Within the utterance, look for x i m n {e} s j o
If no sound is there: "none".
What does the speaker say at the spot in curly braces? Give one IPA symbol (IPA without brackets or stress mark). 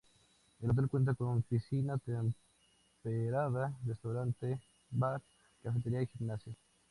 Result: a